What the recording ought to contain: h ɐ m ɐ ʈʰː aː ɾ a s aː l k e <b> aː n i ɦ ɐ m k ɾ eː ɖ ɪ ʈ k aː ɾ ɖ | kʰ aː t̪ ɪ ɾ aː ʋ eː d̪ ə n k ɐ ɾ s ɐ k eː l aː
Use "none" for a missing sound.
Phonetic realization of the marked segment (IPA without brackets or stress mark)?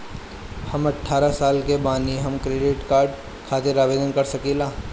b